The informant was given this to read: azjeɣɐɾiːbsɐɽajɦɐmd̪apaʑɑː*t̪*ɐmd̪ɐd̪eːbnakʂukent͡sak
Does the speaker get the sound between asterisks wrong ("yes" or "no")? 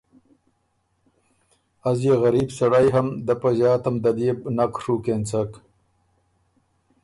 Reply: no